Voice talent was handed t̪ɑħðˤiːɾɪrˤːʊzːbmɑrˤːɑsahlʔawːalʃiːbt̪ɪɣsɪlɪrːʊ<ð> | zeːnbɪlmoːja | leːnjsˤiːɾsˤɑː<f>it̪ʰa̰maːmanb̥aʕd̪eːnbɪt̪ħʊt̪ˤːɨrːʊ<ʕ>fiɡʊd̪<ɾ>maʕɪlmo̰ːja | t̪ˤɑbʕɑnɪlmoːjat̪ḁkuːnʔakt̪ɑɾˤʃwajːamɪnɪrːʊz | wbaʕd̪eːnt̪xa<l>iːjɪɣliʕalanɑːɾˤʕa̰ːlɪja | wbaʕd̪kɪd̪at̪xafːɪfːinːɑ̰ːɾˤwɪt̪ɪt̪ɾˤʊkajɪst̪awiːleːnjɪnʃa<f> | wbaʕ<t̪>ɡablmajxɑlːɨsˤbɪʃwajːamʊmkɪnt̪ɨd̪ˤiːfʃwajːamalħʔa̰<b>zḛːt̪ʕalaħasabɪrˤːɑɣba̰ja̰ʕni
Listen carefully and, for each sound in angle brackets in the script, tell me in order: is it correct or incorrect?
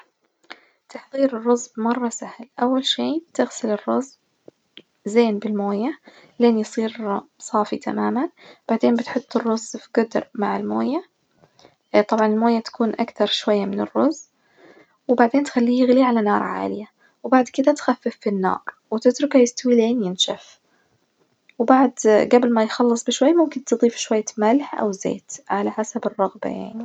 incorrect, correct, incorrect, correct, incorrect, correct, incorrect, incorrect

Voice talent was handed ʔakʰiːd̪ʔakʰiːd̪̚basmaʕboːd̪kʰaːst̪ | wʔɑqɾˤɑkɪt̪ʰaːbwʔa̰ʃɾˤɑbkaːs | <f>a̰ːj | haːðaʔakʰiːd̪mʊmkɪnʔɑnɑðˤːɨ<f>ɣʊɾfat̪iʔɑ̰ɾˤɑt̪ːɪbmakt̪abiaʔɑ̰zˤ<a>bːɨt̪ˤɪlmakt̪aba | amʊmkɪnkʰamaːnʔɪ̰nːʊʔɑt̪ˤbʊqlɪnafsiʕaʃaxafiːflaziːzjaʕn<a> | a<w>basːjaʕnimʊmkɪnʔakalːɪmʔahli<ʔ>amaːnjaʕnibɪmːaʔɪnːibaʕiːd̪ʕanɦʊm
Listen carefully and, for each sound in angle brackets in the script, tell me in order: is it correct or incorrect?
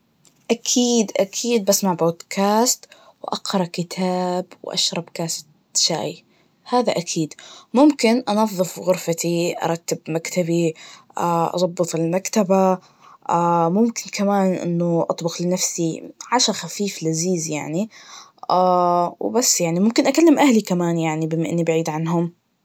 incorrect, correct, incorrect, incorrect, correct, incorrect

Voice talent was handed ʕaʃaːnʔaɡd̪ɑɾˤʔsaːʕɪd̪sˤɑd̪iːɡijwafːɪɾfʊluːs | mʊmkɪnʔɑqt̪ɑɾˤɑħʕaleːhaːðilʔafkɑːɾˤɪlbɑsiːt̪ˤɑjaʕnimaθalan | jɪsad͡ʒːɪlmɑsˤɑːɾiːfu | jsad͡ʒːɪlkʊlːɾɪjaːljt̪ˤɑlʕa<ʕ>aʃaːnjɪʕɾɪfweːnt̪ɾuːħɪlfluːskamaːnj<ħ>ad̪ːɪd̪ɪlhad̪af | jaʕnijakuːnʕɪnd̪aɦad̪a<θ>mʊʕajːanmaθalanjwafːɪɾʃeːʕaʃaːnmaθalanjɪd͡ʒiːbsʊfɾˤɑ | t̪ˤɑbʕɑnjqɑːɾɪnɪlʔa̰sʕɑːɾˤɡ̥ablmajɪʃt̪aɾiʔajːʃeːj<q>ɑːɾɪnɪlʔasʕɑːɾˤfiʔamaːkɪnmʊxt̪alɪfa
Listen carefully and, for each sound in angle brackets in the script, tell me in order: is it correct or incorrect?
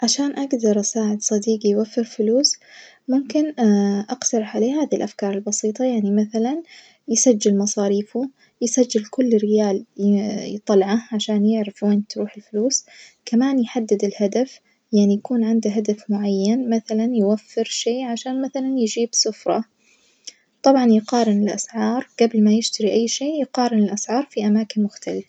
correct, correct, incorrect, correct

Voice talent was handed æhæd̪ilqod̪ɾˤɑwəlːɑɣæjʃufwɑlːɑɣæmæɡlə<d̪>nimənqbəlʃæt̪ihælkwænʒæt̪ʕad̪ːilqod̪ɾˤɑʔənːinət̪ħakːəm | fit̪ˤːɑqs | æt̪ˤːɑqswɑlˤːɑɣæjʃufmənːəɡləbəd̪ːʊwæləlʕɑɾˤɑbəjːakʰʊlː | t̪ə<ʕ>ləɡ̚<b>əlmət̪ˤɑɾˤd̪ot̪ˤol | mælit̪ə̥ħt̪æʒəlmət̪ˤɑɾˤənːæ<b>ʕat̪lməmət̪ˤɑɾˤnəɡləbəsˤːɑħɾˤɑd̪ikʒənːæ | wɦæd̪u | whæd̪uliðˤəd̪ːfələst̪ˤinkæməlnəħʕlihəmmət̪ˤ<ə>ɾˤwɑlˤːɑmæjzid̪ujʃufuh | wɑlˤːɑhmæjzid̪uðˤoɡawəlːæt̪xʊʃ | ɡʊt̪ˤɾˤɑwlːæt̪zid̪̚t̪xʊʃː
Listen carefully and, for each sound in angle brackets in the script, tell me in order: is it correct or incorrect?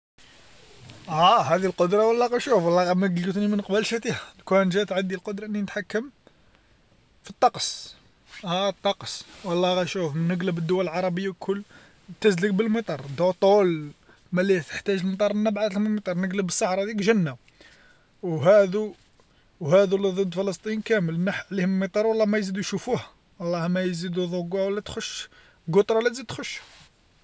incorrect, incorrect, correct, correct, incorrect

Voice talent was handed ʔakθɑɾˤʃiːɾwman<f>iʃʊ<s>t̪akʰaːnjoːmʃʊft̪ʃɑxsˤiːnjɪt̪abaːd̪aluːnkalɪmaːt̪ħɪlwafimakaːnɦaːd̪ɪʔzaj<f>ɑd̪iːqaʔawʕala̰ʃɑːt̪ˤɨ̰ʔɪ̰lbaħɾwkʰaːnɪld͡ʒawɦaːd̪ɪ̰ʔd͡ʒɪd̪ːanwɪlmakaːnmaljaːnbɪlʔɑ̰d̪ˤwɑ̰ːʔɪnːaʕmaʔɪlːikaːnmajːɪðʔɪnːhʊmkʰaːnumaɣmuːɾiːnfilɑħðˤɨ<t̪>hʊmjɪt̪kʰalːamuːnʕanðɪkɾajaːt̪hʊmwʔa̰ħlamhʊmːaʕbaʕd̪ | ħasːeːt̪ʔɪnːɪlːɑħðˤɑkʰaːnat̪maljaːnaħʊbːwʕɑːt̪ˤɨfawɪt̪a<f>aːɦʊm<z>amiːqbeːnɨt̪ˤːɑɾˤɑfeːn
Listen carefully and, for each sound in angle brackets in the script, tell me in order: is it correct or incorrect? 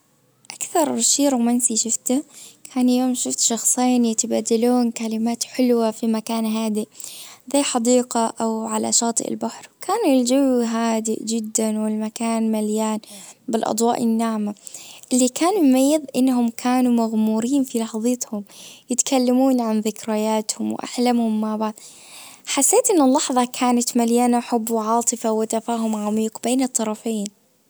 incorrect, incorrect, incorrect, correct, correct, incorrect

